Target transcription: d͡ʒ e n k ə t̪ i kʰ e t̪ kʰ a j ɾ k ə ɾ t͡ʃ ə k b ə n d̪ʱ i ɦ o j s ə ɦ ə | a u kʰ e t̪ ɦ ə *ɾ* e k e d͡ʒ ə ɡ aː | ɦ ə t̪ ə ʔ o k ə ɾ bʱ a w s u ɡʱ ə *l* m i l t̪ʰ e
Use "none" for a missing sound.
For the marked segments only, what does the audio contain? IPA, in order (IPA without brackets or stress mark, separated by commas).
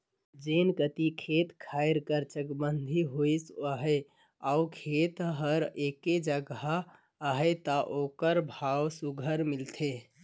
ɾ, ɾ